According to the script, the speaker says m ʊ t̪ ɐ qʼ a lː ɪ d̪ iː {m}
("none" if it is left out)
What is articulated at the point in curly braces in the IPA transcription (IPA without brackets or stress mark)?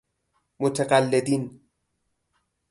n